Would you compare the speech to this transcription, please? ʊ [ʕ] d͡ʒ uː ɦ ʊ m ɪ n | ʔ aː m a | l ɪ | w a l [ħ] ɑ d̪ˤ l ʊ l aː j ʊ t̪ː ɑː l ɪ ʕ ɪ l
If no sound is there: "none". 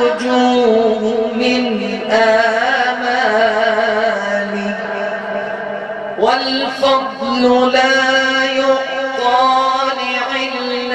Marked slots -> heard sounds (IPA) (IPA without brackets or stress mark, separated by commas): none, f